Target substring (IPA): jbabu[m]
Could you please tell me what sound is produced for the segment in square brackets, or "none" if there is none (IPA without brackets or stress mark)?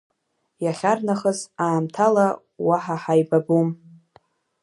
m